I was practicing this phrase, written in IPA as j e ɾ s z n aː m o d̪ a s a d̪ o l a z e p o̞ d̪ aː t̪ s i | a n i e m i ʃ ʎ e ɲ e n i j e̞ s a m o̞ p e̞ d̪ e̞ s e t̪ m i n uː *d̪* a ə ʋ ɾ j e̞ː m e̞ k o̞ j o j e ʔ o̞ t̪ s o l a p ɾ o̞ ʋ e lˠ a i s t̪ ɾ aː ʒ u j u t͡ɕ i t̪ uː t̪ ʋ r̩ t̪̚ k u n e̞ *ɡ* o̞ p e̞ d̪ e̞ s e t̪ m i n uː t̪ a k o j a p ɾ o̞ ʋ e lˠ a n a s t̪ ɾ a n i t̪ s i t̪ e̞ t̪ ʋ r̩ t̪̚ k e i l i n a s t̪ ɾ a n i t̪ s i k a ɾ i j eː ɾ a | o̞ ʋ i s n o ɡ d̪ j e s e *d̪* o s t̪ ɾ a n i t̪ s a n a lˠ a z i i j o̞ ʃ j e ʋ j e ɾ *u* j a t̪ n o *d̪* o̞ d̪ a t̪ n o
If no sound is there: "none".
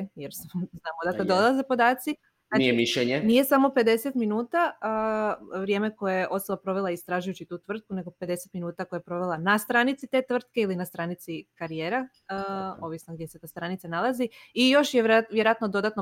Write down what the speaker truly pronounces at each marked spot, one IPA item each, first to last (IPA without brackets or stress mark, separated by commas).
t̪, ɡ, t̪, o, d̪